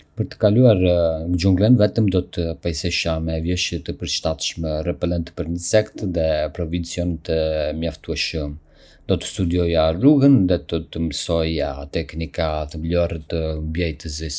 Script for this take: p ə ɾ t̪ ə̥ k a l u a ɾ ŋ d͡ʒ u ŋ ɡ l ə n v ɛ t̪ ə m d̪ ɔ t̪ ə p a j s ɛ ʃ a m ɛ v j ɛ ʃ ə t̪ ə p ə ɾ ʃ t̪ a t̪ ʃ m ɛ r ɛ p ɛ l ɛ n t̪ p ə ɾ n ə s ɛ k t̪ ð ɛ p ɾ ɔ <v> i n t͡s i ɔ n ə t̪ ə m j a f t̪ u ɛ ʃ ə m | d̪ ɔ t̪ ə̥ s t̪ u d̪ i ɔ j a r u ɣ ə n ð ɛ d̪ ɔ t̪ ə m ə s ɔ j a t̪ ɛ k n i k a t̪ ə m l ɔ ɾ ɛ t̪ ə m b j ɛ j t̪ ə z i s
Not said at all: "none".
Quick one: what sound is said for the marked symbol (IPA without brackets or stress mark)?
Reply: v